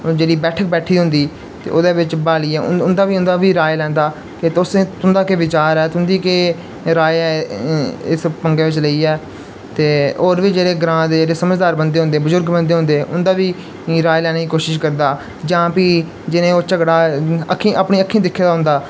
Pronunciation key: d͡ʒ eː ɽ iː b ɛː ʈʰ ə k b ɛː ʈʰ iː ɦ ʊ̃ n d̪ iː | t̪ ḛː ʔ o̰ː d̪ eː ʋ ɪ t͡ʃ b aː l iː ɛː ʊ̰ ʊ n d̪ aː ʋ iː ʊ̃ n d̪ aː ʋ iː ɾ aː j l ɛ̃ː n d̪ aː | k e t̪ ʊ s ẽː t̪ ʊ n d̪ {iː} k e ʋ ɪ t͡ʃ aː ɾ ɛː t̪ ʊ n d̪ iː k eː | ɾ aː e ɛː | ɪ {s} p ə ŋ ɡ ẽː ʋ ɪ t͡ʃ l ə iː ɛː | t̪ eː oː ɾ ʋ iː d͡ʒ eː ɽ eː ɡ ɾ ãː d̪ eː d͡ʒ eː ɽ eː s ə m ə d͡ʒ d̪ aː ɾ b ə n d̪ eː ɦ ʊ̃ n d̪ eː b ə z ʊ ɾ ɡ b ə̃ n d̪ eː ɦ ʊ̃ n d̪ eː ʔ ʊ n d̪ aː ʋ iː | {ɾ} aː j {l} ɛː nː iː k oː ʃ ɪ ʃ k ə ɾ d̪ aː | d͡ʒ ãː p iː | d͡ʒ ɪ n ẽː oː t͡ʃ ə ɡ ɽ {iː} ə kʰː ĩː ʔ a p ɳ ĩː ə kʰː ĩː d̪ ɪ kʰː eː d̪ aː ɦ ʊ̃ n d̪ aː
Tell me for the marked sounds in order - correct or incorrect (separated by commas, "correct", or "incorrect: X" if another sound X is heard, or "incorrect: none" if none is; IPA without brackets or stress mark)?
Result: incorrect: aː, correct, correct, correct, incorrect: aː